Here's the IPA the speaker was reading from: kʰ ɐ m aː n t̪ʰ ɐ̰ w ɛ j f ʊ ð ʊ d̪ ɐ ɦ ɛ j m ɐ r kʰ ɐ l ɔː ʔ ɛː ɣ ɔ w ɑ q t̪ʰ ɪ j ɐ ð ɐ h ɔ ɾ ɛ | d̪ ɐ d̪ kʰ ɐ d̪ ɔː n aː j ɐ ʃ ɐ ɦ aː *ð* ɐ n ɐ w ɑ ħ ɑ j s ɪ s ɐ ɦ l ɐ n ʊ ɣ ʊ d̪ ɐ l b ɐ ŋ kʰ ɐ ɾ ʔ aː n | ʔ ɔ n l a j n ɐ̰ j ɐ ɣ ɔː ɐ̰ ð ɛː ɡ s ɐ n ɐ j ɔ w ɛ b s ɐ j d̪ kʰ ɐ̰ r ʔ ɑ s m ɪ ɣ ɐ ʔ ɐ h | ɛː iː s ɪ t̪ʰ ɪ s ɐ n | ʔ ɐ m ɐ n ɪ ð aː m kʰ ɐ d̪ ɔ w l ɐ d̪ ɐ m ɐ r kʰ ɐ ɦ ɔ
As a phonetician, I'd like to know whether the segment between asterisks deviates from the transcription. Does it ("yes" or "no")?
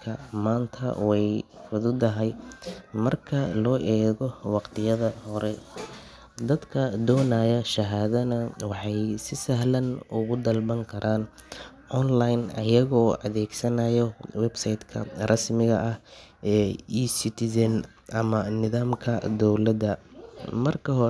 no